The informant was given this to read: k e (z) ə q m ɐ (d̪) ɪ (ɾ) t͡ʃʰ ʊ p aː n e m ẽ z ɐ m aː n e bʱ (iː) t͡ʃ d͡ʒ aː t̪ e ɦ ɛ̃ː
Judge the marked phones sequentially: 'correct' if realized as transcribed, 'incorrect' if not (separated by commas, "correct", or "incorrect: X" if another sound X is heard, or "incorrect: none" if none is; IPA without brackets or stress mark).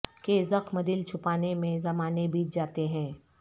correct, correct, incorrect: l, correct